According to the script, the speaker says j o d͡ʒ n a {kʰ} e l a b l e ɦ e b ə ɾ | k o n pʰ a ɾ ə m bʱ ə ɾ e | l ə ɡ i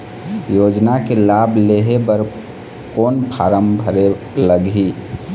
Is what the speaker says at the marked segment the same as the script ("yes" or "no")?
no